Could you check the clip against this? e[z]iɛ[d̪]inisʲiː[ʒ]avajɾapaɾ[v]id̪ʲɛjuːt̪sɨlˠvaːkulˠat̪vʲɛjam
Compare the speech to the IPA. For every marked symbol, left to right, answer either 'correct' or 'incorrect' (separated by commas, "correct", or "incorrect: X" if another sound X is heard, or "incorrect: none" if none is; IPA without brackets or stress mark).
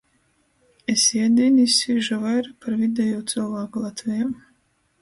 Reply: incorrect: s, correct, correct, correct